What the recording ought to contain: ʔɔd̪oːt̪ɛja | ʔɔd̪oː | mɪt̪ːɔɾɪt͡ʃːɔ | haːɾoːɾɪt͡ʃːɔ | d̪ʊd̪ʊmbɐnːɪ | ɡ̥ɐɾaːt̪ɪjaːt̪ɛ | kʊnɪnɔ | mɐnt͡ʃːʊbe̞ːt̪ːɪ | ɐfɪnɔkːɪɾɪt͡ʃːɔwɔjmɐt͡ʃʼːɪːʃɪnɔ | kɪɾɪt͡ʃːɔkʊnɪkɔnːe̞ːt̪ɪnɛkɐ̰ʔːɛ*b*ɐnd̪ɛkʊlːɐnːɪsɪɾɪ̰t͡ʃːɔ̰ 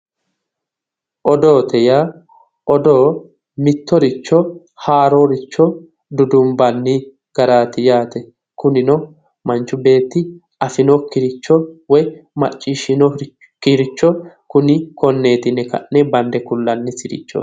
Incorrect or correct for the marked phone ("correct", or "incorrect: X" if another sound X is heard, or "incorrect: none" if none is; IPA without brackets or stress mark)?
correct